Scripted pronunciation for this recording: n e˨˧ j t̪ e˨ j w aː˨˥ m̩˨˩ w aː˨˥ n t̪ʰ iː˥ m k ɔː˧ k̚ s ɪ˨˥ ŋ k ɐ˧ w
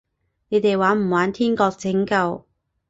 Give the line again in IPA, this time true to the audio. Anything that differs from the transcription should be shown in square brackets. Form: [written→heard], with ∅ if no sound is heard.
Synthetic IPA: n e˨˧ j t̪ e˨ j w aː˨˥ m̩˨˩ w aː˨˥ n t̪ʰ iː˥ [m→n] k ɔː˧ k̚ [s→t͡s] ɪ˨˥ ŋ k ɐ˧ w